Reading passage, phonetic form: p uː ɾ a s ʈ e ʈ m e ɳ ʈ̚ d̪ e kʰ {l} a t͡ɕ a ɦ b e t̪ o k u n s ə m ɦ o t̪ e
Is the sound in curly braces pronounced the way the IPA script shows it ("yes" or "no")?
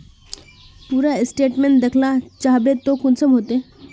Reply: yes